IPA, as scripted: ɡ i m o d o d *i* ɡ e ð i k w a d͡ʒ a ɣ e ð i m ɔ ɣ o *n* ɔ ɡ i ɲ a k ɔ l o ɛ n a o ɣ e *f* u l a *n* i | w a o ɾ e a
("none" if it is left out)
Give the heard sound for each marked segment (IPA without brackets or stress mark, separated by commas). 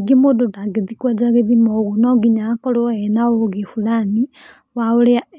a, n, f, n